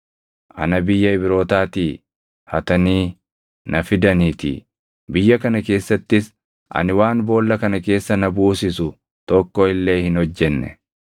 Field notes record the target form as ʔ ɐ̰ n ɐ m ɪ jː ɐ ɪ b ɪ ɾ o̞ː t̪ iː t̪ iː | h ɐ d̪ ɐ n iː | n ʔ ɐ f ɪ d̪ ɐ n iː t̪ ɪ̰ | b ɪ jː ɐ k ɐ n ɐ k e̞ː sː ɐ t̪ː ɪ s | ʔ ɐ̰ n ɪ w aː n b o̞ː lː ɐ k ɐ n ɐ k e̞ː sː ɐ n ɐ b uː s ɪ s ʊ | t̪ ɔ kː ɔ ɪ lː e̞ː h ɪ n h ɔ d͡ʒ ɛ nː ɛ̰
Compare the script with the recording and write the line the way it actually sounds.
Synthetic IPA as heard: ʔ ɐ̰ n ɐ b ɪ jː ɐ ɪ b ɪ ɾ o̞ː t̪ aː t̪ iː | h ɐ t̪ ɐ n iː | n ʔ ɐ f ɪ d̪ ɐ n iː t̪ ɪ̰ | b ɪ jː ɐ k ɐ n ɐ k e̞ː sː ɐ t̪ː ɪ s | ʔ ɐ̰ n ɪ w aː n b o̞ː lː ɐ k ɐ n ɐ k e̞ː sː ɐ n ɐ b uː s ɪ s ʊ | t̪ ɔ kː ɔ ɪ lː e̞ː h ɪ n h ɔ d͡ʒː ɛ nː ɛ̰

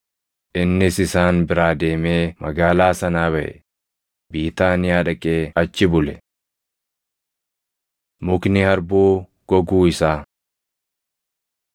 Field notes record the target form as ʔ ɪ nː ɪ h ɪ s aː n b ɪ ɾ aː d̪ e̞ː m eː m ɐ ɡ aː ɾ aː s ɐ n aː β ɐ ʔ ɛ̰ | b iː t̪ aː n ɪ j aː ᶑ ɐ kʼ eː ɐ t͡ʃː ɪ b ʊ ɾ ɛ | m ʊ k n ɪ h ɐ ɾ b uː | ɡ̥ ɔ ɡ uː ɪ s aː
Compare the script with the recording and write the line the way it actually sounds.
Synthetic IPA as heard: ʔ ɪ nː ɪ s ɪ s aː n b ɪ ɾ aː d̪ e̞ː m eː m ɐ ɡ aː l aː s ɐ n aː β ɐ ʔ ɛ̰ | b iː t̪ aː n ɪ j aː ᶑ ɐ kʼ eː ɐ t͡ʃː ɪ b ʊ l ɛ | m ʊ k n ɪ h ɐ ɾ b uː | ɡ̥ ɔ ɡ uː ɪ s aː

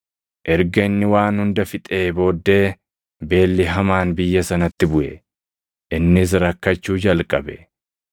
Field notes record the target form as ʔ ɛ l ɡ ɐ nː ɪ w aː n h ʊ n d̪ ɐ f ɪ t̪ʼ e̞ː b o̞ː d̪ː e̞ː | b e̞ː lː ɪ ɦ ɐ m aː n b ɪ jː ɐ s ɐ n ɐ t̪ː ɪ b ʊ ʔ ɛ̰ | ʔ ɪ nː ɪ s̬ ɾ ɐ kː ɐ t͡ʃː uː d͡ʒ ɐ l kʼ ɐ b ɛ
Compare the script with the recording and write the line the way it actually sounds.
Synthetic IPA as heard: ʔ ɛ ɾ ɡ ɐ nː ɪ w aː n h ʊ n d̪ ɐ f ɪ t̪ʼ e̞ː b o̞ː d̪ː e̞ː | b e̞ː lː ɪ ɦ ɐ m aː n b ɪ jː ɐ s ɐ n ɐ t̪ː ɪ b ʊ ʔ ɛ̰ | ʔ ɪ nː ɪ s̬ ɾ ɐ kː ɐ t͡ʃː uː d͡ʒ ɐ l kʼ ɐ b ɛ

